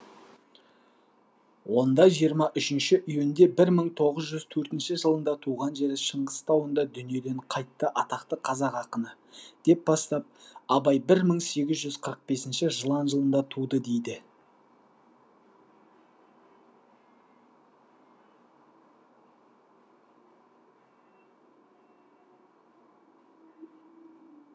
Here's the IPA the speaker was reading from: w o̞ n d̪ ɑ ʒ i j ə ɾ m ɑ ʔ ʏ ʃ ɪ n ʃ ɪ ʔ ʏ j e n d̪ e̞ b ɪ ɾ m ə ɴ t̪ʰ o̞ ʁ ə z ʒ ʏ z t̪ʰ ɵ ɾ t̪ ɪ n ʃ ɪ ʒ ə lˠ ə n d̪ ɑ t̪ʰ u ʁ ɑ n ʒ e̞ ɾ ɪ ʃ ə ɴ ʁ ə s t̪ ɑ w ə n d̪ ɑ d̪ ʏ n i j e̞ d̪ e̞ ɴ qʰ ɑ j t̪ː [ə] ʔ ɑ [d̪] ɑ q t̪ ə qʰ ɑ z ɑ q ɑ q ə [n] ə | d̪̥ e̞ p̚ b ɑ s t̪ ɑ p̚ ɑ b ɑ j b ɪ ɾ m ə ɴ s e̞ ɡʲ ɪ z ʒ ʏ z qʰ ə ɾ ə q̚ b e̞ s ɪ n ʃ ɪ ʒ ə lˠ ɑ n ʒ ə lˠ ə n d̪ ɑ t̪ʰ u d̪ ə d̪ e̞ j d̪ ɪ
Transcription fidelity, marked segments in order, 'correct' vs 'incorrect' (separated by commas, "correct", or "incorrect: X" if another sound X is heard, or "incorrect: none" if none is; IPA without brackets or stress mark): correct, incorrect: t̪, correct